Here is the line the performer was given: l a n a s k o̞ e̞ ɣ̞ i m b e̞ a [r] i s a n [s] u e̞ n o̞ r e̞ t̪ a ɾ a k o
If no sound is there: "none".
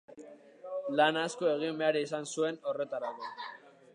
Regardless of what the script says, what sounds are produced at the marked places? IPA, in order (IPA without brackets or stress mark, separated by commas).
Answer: ɾ, s